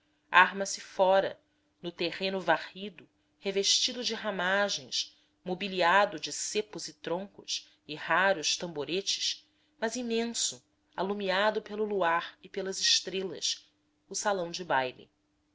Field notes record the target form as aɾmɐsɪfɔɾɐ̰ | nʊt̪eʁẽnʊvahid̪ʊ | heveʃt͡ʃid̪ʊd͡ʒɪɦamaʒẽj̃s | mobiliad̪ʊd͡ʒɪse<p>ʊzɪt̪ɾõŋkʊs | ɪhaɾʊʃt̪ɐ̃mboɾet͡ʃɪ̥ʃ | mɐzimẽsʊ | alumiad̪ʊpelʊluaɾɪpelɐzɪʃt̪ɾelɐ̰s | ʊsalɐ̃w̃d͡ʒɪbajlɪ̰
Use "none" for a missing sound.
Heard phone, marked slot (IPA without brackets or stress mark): p